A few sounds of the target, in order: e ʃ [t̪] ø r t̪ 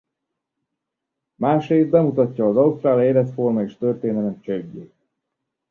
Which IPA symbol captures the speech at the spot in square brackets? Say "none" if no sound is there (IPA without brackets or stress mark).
t̪